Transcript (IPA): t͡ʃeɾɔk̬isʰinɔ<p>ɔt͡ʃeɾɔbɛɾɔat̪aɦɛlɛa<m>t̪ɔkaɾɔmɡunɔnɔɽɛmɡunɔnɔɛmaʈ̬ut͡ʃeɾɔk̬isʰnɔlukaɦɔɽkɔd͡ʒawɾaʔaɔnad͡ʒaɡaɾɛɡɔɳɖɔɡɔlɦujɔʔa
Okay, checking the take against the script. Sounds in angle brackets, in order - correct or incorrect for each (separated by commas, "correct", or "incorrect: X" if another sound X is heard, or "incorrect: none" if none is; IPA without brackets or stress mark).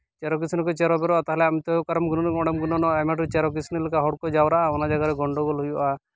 incorrect: k, correct